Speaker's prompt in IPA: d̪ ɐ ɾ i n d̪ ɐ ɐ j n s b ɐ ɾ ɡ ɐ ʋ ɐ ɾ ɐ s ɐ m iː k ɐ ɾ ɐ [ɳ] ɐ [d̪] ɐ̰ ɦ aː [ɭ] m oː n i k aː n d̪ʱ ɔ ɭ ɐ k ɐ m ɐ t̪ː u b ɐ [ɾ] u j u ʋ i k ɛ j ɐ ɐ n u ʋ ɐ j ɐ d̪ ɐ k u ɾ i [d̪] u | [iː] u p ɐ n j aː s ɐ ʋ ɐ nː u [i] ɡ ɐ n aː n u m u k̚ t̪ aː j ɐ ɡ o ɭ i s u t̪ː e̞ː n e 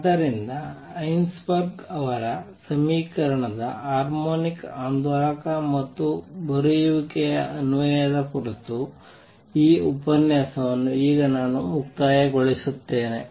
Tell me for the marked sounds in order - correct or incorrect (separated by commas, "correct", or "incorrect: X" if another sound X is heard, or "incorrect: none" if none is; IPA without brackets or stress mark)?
correct, correct, incorrect: ɾ, correct, incorrect: t̪, correct, incorrect: iː